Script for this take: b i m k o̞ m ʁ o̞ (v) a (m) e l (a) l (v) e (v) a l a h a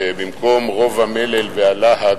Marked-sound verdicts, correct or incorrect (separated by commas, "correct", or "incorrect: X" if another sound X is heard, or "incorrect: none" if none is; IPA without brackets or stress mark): correct, correct, incorrect: e, correct, incorrect: none